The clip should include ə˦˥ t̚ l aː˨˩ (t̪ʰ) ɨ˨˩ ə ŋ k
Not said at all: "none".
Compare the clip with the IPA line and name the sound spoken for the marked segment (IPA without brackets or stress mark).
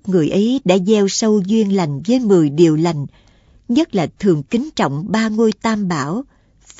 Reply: t̪ʰ